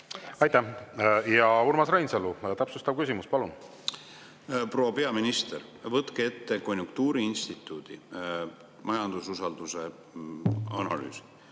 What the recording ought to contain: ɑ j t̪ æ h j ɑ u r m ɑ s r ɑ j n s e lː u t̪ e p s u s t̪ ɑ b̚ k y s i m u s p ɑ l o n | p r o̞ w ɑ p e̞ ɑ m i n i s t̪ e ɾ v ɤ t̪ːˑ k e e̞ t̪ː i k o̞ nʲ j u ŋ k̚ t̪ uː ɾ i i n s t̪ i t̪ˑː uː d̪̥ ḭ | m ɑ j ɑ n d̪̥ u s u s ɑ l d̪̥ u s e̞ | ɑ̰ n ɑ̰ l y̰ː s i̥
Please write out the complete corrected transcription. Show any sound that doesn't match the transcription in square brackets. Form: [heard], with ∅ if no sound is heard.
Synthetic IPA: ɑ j t̪ æ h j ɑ u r m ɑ s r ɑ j n s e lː u t̪ [æ] p s u s t̪ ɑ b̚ k y s i m u s p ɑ l [u] n | p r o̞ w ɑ p e̞ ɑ m i n i s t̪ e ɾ v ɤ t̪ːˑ k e e̞ t̪ː [e] k o̞ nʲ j u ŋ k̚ t̪ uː ɾ i i n s t̪ i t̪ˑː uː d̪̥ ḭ | m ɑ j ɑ n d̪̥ u s u s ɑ l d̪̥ u s e̞ | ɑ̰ n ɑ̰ l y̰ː s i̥